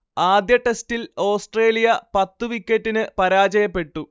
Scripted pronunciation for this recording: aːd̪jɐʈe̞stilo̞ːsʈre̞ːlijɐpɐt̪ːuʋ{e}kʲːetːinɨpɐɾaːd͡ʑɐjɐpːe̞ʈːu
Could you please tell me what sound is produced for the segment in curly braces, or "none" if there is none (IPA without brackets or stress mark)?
i